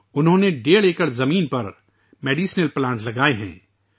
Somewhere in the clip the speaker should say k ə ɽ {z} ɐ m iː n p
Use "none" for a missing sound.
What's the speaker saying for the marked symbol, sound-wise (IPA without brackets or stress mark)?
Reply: z